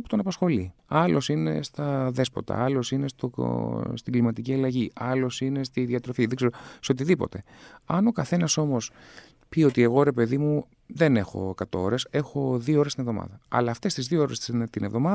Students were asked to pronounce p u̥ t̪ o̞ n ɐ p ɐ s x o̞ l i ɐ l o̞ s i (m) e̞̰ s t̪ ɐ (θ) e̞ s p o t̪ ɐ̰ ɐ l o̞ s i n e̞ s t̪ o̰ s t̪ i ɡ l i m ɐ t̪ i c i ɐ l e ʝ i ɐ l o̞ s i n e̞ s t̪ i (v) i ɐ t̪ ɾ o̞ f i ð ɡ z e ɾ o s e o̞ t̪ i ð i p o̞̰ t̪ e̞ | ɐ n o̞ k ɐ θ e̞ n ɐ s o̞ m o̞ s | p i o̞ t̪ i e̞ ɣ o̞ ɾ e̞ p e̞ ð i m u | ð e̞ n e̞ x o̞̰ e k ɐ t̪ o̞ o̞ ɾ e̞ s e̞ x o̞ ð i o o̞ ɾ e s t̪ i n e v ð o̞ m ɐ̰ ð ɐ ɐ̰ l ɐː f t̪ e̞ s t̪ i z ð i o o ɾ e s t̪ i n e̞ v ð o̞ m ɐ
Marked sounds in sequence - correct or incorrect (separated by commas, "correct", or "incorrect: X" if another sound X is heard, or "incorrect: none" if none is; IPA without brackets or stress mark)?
incorrect: n, incorrect: ð, incorrect: ð